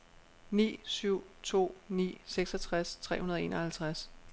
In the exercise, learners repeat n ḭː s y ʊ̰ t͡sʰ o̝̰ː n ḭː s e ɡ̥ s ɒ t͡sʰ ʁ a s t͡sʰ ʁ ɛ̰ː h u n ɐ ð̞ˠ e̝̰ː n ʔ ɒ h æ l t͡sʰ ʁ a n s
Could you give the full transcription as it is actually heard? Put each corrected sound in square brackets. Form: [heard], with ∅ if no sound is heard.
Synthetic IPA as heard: n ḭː s y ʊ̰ t͡sʰ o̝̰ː n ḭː s e ɡ̥ s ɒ t͡sʰ ʁ a s t͡sʰ ʁ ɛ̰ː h u n ɐ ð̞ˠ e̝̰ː n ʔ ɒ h æ l t͡sʰ ʁ a [∅] s